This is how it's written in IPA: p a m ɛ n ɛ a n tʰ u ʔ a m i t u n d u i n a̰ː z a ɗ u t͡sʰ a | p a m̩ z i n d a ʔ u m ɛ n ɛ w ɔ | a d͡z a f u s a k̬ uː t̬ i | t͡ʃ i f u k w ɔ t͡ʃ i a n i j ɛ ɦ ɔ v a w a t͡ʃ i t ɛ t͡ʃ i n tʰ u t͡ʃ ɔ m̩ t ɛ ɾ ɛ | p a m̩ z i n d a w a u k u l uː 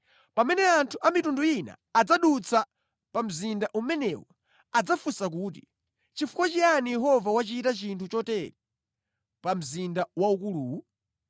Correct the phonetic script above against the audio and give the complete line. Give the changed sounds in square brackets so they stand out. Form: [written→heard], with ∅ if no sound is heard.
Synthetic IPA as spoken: p a m ɛ n ɛ a n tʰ u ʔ a m i t u n d u i n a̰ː [z→d͡z] a ɗ u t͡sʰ a | p a m̩ z i n d a ʔ u m ɛ n ɛ w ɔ | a d͡z a f u s a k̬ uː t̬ i | t͡ʃ i f u k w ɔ t͡ʃ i a n i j ɛ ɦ ɔ v a w a t͡ʃ i t [ɛ→a] t͡ʃ i n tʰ u t͡ʃ ɔ [m̩→∅] t ɛ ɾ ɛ | p a m̩ z i n d a w a u k u l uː